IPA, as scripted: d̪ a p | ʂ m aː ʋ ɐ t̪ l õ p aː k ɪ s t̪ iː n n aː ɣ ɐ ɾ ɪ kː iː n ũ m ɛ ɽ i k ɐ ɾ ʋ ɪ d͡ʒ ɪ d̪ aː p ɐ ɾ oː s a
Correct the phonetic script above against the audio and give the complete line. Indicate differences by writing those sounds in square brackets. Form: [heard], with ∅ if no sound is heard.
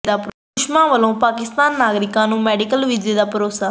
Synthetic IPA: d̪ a p | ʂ m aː ʋ ɐ [∅] l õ p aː k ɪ s t̪ [aː] n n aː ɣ ɐ ɾ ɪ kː [aː] n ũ m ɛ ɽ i k ɐ [l] ʋ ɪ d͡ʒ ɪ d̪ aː p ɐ ɾ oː s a